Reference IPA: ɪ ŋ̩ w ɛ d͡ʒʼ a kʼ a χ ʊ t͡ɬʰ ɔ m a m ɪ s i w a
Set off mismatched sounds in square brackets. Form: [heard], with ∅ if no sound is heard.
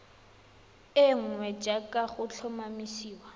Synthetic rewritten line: ɪ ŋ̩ w ɛ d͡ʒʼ a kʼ a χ ʊ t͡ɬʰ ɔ m a m [i] s [iː] w a